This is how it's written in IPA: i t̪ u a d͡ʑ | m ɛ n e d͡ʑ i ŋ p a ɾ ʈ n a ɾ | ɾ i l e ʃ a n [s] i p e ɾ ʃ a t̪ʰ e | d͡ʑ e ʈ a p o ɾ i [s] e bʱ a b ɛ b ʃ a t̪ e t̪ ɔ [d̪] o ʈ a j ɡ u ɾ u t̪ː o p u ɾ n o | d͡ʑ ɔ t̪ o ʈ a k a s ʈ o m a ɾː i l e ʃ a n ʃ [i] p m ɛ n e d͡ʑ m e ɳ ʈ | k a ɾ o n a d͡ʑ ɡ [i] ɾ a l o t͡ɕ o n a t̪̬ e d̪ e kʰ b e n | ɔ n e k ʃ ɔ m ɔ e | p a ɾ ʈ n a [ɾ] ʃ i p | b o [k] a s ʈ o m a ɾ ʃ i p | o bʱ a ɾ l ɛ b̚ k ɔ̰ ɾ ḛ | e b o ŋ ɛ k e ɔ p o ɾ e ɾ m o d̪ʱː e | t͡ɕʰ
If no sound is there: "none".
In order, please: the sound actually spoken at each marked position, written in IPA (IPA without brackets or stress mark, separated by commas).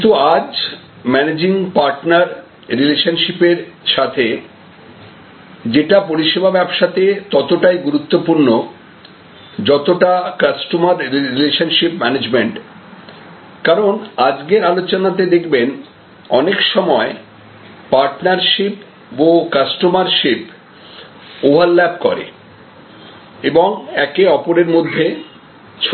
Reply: ʃ, ʃ, t̪, i, e, ɾ, k